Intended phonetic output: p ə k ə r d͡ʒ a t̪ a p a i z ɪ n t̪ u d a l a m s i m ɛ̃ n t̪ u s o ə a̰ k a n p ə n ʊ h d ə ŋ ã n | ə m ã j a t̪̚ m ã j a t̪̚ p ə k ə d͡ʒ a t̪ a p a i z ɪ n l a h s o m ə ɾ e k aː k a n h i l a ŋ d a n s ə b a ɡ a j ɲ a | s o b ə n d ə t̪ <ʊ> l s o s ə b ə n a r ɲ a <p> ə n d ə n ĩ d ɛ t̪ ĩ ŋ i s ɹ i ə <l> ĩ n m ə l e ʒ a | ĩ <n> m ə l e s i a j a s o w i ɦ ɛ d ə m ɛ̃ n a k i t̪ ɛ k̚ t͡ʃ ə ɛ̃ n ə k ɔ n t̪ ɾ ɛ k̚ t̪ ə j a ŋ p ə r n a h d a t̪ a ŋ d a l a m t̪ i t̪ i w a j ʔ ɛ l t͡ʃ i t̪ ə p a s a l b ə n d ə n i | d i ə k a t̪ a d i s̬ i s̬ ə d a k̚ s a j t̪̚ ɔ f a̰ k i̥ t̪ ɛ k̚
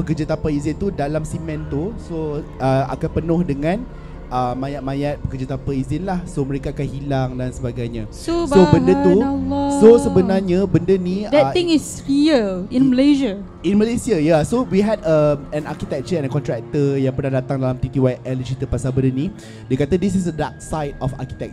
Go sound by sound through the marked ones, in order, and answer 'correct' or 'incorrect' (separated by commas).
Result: incorrect, incorrect, correct, correct